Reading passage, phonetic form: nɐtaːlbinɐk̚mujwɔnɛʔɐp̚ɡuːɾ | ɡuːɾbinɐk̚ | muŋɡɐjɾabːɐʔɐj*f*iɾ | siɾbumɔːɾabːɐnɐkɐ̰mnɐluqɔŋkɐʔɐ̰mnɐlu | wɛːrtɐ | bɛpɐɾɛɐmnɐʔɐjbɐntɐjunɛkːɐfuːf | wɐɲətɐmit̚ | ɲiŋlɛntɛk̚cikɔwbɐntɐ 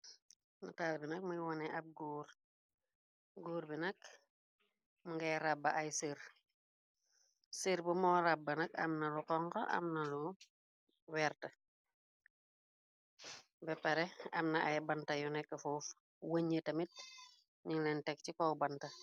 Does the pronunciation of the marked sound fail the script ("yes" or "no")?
yes